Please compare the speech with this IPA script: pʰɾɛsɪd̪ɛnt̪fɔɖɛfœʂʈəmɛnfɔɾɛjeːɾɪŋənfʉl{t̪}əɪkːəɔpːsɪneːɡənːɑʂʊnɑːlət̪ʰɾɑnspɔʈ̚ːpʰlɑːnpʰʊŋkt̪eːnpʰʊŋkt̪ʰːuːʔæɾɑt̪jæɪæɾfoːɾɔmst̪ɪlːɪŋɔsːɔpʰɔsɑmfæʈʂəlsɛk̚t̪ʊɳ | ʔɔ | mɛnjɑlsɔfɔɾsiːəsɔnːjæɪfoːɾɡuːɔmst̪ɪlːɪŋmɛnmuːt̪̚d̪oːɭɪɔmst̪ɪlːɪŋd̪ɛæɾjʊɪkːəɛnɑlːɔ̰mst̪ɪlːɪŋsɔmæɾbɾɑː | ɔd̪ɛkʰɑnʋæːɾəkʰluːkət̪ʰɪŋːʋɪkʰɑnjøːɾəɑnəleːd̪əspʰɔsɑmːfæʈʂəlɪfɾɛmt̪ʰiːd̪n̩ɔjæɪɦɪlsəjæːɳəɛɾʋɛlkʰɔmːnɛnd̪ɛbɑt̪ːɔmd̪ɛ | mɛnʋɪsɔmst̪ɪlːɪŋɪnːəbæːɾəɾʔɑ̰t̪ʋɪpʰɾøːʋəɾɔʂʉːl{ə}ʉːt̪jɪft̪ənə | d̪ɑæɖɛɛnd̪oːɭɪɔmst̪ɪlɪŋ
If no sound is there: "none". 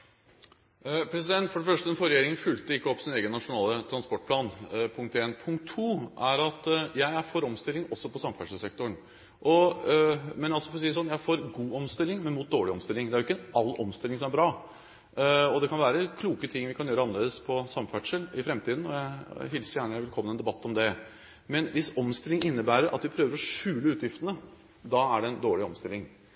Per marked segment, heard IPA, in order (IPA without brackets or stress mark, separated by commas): t̪, ə